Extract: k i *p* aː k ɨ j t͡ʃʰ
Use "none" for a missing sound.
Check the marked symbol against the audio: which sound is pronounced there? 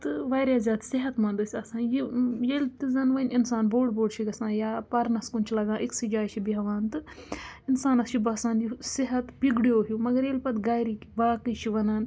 b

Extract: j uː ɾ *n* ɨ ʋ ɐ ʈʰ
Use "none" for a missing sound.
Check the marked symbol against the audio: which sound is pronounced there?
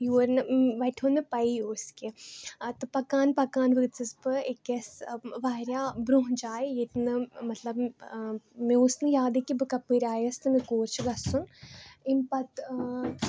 n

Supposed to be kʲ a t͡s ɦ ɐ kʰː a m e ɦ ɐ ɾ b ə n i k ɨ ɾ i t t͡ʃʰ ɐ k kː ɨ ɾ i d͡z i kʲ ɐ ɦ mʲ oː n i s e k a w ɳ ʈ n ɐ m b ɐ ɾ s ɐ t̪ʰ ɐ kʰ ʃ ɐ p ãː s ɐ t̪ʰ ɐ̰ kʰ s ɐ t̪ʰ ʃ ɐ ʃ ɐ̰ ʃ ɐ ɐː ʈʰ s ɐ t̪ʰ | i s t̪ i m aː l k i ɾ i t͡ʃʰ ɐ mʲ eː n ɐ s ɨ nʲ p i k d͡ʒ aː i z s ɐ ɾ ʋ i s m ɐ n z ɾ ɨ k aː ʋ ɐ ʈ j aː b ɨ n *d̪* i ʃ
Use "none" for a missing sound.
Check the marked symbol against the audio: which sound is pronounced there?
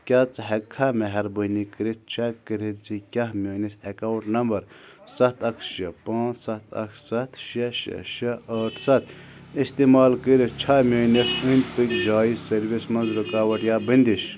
d̪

